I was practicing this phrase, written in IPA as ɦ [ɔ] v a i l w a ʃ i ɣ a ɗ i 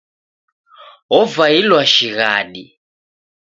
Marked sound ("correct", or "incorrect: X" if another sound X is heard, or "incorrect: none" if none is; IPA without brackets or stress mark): correct